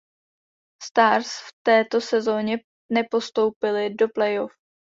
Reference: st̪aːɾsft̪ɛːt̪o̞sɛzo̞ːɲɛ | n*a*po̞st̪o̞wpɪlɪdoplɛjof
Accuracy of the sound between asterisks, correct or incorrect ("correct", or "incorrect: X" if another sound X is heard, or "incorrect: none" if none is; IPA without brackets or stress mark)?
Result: incorrect: ɛ